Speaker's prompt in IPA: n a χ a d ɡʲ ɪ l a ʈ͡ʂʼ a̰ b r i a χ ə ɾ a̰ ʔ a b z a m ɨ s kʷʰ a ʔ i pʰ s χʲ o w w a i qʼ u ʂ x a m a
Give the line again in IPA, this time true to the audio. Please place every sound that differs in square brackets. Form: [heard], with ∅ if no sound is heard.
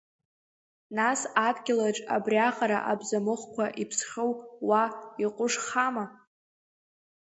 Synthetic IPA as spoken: n a [s] a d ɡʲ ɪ l a ʈ͡ʂʼ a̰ b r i a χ [a] ɾ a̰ ʔ a b z a m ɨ [χ] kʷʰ a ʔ i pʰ s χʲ o w w a i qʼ [ʊ] ʂ [χ] a m a